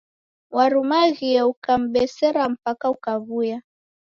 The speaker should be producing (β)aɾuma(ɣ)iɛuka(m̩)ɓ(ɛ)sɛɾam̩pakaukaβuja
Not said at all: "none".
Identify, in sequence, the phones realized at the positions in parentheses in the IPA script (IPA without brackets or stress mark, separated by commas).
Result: w, ɣ, m̩, ɛ